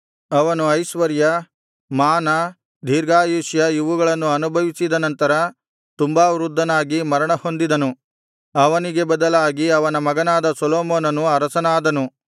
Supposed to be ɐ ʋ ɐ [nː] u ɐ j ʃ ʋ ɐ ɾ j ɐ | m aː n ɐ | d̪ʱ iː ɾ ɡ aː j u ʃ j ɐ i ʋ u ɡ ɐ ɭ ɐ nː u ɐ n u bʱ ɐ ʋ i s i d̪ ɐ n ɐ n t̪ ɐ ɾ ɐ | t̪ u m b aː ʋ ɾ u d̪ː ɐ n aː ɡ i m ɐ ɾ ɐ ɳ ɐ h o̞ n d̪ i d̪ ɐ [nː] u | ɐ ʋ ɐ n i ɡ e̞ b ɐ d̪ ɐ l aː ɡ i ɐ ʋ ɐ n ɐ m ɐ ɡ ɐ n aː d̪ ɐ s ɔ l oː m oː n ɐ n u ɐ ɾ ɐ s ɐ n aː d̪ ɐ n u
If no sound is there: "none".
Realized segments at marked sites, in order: n, n

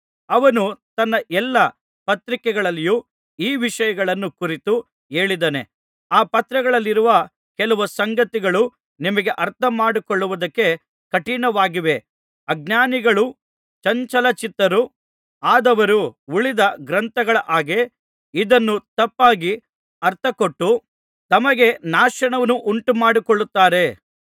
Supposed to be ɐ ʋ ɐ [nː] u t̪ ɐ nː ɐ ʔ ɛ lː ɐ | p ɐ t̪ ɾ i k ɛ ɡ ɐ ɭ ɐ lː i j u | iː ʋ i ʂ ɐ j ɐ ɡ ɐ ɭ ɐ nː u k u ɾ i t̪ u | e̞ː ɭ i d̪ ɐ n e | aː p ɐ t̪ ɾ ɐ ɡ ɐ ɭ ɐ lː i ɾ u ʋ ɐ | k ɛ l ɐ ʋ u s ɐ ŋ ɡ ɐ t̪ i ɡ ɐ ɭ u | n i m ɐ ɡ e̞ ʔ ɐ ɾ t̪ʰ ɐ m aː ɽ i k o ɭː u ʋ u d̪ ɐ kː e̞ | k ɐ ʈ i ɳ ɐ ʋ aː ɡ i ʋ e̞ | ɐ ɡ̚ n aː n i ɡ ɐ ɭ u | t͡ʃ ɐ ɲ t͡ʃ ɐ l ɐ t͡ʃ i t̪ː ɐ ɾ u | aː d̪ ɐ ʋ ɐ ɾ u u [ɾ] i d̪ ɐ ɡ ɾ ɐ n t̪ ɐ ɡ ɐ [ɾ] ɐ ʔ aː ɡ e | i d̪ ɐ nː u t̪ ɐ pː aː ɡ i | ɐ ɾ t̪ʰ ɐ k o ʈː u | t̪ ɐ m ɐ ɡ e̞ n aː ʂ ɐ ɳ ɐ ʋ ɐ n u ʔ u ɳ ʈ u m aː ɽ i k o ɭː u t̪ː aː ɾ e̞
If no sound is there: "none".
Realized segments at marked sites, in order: n, ɭ, ɭ

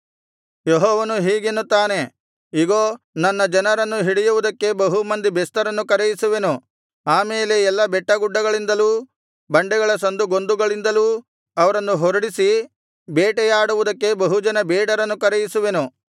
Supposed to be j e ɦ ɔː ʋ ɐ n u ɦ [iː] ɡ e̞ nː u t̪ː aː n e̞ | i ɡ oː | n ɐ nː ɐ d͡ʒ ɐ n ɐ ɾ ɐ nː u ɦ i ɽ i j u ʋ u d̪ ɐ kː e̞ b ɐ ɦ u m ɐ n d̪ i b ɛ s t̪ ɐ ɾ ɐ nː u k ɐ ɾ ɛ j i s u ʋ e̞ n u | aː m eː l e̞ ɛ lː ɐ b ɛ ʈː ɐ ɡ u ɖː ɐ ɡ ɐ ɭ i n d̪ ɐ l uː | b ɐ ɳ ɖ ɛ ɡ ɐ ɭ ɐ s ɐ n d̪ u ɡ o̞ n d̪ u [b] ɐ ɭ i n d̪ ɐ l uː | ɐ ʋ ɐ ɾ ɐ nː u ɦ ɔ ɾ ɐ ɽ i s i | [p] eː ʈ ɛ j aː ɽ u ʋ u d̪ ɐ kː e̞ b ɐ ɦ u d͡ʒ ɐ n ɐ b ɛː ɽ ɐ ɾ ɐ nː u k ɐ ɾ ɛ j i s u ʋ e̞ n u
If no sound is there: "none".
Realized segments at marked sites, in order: iː, ɡ, b

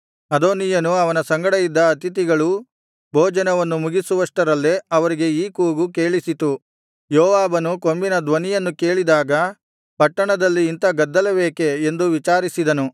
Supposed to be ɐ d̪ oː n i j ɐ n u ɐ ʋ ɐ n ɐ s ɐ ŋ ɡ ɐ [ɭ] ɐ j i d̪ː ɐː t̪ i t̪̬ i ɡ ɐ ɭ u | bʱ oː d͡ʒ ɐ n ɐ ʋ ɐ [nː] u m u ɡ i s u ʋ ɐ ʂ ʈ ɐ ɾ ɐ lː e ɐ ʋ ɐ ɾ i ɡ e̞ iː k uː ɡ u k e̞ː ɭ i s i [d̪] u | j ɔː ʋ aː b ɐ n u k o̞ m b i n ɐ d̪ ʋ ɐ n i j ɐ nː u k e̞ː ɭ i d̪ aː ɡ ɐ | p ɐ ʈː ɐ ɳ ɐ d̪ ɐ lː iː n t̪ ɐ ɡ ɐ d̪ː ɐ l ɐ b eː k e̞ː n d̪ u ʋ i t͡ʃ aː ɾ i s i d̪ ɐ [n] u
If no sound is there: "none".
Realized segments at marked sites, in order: ɽ, nː, t̪, n

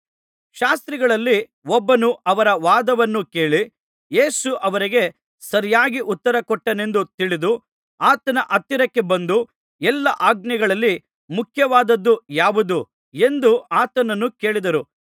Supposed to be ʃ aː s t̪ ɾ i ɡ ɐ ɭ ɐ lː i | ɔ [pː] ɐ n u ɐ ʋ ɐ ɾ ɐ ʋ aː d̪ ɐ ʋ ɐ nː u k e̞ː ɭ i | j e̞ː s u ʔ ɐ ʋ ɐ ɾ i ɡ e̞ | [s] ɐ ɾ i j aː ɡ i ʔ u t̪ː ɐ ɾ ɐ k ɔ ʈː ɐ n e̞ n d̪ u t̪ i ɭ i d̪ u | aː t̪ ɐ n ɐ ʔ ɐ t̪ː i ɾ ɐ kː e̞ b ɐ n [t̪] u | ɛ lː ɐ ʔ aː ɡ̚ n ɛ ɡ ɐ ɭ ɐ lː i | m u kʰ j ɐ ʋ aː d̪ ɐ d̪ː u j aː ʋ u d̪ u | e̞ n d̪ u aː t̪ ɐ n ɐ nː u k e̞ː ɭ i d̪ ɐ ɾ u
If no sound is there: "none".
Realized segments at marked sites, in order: bː, s, d̪

